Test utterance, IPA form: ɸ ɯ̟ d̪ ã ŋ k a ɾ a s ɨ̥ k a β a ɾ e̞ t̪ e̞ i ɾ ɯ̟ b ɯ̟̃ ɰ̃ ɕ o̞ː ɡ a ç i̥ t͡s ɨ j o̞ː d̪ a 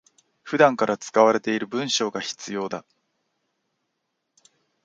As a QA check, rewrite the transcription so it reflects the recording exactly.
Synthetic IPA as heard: ɸ ɯ̟ d̪ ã ŋ k a ɾ a t͡s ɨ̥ k a β a ɾ e̞ t̪ e̞ i ɾ ɯ̟ b ɯ̟̃ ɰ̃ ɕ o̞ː ɡ a ç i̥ t͡s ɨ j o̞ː d̪ a

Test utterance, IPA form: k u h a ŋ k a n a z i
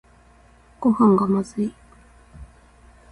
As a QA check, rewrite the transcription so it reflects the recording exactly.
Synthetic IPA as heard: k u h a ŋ ɡ a m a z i

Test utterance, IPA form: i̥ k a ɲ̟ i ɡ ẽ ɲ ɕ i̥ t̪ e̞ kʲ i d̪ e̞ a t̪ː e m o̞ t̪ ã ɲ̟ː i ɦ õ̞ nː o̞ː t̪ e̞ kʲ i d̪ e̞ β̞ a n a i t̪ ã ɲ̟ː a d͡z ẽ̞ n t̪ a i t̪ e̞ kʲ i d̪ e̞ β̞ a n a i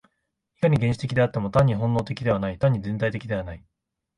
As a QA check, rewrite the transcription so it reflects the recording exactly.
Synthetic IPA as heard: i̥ k a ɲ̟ i ɡ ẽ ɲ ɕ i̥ t̪ e̞ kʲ i d̪ e̞ a t̪ː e m o̞ t̪ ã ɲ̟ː i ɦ õ̞ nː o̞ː t̪ e̞ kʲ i d̪ e̞ β̞ a n a i t̪ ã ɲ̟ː i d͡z ẽ̞ n t̪ a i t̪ e̞ kʲ i d̪ e̞ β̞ a n a i

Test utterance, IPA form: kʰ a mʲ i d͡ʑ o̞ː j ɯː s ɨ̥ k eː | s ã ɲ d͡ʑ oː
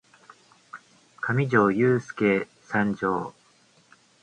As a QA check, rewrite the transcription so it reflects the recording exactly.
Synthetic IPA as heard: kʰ a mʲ i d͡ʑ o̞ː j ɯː s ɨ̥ k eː | s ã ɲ d͡ʑ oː

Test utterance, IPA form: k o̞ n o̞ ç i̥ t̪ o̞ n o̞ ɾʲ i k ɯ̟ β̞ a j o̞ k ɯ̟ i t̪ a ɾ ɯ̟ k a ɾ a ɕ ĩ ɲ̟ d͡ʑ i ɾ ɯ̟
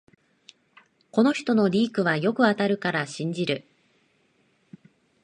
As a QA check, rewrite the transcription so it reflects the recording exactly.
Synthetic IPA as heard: k o̞ n o̞ ç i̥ t̪ o̞ n o̞ ɾʲ iː k ɯ̟ β̞ a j o̞ k ɯ̟ a t̪ a ɾ ɯ̟ k a ɾ a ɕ ĩ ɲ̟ d͡ʑ i ɾ ɯ̟

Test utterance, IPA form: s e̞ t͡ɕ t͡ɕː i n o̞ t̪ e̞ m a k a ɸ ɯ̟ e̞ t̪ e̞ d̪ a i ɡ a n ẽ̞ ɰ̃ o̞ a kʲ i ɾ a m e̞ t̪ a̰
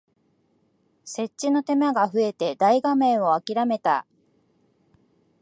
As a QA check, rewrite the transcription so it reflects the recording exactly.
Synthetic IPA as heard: s e̞ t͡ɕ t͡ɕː i n o̞ t̪ e̞ m a ɡ a ɸ ɯ̟ e̞ t̪ e̞ d̪ a i ɡ a m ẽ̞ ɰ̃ o̞ a kʲ i ɾ a m e̞ t̪ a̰

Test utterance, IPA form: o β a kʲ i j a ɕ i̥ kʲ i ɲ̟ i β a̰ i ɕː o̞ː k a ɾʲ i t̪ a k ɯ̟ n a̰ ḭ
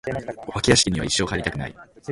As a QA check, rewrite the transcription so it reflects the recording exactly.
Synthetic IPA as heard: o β a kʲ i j a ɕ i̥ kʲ i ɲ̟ i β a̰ i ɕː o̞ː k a ɾʲ i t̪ a k ɯ̟ n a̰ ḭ

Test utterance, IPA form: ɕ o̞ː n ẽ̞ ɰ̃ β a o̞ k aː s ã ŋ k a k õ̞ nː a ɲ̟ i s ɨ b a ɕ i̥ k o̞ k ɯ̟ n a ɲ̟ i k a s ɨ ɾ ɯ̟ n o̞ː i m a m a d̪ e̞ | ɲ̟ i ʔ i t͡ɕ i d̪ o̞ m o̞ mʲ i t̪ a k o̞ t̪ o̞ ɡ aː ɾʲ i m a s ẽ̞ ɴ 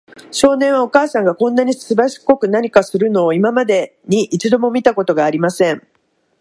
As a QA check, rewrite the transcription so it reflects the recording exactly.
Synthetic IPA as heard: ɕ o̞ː n ẽ̞ ɰ̃ β a o̞ k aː s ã ŋ ɡ a k õ̞ nː a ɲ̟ i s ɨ b a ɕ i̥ k o̞ k ɯ̟ n a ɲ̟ i k a s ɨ ɾ ɯ̟ n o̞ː i m a m a d̪ e̞ | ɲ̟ i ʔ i t͡ɕ i d̪ o̞ m o̞ mʲ i t̪ a k o̞ t̪ o̞ ɡ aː ɾʲ i m a s ẽ̞ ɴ

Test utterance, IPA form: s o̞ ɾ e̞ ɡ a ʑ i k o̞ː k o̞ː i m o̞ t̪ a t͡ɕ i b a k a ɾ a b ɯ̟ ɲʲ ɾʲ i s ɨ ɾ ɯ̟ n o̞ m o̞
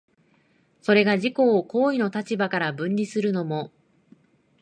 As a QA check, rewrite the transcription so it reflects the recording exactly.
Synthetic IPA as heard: s o̞ ɾ e̞ ɡ a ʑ i k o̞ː k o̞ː i n o̞ t̪ a t͡ɕ i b a k a ɾ a b ɯ̟̃ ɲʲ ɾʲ i s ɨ ɾ ɯ̟ n o̞ m o̞

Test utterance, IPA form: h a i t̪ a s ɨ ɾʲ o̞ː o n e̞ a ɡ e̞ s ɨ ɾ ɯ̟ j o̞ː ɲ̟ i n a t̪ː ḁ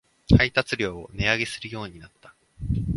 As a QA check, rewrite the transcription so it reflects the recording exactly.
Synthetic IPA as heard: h a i t̪ a t͡s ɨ ɾʲ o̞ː o n e̞ a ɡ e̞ s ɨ ɾ ɯ̟ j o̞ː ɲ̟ i n a t̪ː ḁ

